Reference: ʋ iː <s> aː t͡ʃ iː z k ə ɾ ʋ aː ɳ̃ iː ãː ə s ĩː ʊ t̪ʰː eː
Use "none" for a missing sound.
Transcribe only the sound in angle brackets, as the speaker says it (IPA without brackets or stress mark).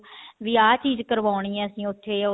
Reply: none